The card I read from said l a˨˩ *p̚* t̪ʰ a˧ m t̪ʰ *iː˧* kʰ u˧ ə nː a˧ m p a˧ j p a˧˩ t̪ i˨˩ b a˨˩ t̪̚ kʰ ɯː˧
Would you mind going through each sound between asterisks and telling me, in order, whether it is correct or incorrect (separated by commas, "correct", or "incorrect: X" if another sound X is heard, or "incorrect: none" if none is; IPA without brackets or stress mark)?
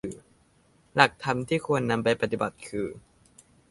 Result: incorrect: k̚, incorrect: iː˥˩